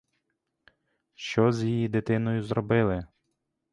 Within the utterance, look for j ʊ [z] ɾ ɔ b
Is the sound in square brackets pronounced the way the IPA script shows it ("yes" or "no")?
yes